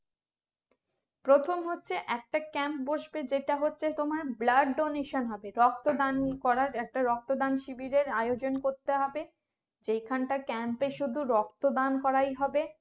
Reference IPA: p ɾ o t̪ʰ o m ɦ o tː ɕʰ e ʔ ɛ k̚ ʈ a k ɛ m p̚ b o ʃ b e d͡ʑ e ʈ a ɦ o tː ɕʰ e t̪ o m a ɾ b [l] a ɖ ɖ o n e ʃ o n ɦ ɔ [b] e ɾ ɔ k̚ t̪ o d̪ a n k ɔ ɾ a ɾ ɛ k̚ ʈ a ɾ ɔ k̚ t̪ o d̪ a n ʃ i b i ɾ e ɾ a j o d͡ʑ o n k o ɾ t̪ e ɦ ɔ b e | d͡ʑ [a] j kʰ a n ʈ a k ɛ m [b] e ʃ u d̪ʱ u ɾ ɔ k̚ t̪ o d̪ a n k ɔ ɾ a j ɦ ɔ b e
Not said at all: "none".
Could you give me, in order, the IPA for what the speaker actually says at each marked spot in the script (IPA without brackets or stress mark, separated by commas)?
l, b, e, p